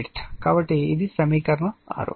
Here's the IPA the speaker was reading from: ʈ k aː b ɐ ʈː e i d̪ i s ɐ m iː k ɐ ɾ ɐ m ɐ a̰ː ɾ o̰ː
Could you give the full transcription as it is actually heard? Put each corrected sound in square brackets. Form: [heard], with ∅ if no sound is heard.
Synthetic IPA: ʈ k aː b ɐ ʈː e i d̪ i s ɐ m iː k ɐ ɾ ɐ [ɳ] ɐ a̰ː ɾ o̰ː